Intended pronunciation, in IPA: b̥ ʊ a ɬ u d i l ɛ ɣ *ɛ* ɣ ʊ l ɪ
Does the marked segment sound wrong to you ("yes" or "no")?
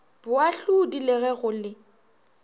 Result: no